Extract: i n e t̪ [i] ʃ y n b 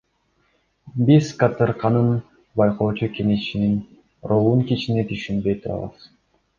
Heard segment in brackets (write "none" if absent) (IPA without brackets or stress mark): y